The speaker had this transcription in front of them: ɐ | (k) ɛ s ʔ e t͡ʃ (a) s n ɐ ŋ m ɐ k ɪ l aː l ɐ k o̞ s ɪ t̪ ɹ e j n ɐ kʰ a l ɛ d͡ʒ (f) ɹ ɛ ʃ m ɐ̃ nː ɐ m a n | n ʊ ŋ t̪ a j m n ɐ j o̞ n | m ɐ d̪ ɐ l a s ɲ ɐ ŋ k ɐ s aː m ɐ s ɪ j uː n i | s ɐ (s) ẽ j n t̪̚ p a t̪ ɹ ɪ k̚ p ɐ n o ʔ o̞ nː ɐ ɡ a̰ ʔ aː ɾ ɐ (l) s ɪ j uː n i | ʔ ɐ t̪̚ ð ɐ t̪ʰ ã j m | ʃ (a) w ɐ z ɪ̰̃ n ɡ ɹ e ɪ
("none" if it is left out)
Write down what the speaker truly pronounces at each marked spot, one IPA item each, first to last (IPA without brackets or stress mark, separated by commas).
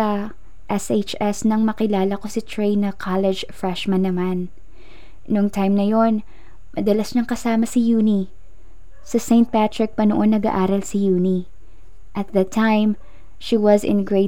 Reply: ʔ, ɛ, f, s, l, i